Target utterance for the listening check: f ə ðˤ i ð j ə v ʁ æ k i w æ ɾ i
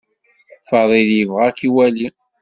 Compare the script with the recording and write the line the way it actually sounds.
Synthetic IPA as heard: f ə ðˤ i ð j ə v ʁ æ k i w æ l i